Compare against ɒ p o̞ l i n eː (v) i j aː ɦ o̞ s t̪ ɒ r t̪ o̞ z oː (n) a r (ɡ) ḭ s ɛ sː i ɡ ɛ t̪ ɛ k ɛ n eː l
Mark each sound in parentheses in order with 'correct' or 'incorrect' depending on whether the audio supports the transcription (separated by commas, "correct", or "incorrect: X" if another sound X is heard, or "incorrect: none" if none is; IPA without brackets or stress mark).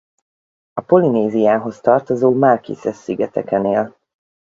incorrect: z, incorrect: m, incorrect: k